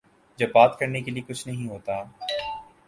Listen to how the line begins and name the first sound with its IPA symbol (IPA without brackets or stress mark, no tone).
d͡ʒ